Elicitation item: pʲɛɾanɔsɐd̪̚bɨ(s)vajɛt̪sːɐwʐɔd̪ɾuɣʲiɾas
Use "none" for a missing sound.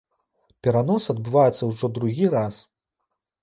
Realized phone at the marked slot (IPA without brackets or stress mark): none